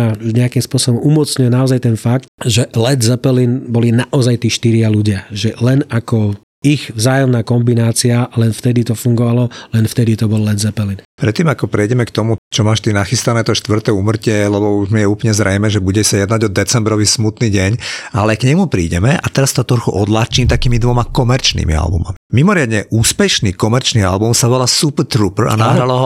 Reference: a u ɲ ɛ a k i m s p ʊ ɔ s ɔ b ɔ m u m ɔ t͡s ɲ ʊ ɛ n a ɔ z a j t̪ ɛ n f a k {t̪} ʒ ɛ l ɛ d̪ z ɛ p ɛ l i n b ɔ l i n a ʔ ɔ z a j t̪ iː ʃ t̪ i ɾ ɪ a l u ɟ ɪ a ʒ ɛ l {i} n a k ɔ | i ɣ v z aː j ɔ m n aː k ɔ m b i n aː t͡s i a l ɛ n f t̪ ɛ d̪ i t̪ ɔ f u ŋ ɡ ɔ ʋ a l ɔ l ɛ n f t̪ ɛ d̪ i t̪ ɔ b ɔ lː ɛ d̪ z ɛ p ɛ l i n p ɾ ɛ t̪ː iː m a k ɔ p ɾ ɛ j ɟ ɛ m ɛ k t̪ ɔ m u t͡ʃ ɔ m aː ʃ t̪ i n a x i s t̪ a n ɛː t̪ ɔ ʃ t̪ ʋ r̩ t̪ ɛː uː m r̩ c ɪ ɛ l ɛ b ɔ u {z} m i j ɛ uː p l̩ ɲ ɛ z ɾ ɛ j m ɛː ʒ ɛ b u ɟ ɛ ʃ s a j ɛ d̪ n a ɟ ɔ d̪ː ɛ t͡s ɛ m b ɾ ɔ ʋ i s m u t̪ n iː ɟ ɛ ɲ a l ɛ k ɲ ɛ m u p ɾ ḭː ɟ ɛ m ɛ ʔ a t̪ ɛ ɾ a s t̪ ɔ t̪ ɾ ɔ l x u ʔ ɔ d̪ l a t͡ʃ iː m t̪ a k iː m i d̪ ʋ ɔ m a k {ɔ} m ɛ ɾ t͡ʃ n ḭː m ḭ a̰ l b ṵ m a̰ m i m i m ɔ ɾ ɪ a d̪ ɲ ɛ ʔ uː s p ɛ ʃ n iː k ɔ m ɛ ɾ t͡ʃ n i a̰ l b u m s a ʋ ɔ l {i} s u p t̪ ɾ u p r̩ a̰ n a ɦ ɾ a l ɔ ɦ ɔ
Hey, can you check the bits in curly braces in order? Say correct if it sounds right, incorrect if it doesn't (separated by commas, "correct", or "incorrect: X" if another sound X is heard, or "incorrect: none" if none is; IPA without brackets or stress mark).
correct, incorrect: ɛ, incorrect: ʒ, correct, incorrect: a